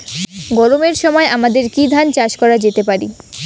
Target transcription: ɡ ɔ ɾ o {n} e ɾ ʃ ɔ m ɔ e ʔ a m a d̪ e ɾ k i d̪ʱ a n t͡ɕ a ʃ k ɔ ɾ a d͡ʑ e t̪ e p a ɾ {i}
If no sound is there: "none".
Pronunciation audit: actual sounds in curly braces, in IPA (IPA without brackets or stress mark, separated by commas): m, i